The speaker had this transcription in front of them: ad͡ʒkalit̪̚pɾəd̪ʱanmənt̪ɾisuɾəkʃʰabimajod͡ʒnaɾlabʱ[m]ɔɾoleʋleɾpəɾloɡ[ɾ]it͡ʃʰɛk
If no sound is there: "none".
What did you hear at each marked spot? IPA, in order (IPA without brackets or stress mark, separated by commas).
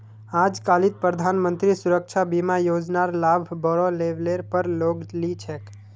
b, l